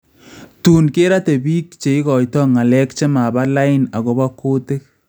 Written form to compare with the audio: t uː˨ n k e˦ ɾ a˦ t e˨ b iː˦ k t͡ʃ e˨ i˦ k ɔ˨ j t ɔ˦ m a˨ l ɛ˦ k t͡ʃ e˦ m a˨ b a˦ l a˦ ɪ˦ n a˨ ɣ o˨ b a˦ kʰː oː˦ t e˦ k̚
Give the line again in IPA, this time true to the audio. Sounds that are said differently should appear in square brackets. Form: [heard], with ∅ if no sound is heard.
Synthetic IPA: t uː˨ n k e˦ ɾ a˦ t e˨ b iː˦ k t͡ʃ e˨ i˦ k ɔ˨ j t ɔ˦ [ŋ] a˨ l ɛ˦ k t͡ʃ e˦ m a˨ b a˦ l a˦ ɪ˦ n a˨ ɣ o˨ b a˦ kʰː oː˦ t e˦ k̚